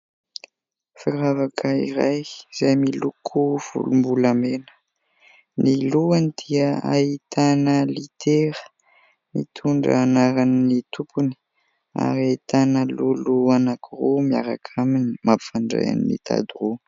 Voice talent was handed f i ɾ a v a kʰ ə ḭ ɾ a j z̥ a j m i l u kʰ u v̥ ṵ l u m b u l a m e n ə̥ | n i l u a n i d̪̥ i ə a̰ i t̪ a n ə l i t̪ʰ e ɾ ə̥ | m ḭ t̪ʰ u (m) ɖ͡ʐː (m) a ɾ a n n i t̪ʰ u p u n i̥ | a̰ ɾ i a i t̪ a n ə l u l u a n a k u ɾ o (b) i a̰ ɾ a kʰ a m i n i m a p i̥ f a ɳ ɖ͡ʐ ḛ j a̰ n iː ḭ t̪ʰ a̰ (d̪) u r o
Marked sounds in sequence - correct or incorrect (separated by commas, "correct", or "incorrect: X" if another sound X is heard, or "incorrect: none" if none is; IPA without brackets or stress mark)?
incorrect: ɳ, incorrect: n, incorrect: m, correct